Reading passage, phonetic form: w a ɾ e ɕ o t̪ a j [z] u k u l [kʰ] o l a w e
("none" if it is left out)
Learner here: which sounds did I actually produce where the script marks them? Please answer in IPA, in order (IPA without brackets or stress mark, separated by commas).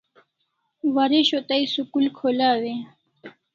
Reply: s, kʰ